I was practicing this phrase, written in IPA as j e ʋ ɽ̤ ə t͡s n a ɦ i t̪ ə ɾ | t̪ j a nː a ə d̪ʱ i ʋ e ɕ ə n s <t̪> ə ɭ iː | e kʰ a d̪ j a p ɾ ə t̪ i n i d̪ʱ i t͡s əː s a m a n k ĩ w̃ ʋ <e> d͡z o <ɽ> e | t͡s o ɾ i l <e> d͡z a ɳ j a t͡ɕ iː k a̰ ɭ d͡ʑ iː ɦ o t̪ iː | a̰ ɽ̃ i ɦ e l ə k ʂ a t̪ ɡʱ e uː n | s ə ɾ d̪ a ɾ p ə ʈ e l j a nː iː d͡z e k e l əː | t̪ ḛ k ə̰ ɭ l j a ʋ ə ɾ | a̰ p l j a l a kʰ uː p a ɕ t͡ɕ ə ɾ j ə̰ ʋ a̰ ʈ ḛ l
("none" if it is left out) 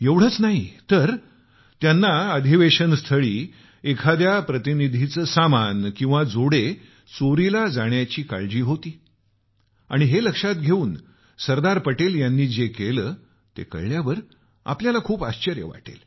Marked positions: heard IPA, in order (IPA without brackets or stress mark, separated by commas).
t̪ʰ, a, ɽ, a